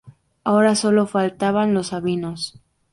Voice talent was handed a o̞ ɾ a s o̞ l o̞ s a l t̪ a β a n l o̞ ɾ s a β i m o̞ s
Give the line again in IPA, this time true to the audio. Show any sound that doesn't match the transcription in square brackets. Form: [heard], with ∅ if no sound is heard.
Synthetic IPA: a o̞ ɾ a s o̞ l o̞ [f] a l t̪ a β a n l o̞ [∅] s a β i [n] o̞ s